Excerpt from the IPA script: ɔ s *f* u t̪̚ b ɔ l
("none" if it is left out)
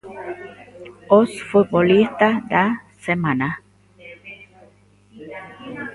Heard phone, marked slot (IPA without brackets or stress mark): f